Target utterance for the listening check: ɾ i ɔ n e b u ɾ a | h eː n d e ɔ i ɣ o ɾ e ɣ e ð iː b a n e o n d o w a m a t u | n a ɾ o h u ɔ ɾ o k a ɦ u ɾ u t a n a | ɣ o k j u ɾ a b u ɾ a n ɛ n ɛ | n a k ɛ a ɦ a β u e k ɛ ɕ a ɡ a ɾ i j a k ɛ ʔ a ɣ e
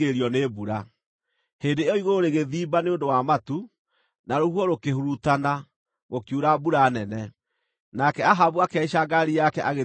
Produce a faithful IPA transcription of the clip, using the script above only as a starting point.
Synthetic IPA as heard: ɾ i ɔ n e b u ɾ a | h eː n d e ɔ i ɣ o ɾ e ɣ e ð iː b a n e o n d o w a m a t u | n a ɾ o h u ɔ ɾ o k e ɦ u ɾ u t a n a | ɣ o k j u ɾ a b u ɾ a n ɛ n ɛ | n a k ɛ a ɦ a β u a k ɛ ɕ a ɡ a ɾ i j a k ɛ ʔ a ɣ e